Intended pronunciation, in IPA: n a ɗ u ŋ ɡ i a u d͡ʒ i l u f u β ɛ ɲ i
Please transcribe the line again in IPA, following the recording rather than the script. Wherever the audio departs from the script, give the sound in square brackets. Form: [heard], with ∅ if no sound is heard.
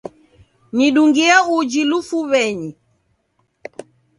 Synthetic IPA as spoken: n [i] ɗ u ŋ ɡ i a u d͡ʒ i l u f u β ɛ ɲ i